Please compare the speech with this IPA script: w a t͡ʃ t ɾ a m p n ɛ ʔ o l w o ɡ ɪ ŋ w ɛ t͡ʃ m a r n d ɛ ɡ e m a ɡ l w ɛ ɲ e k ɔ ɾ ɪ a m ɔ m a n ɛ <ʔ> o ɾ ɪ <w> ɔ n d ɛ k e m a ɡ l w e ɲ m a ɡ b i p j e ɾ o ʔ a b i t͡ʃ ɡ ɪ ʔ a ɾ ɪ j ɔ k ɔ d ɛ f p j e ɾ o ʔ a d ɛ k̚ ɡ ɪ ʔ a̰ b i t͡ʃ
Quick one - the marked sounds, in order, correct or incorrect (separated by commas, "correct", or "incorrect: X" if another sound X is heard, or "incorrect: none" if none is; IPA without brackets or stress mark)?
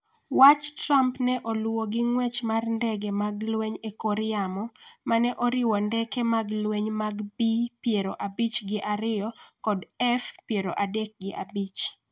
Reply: correct, correct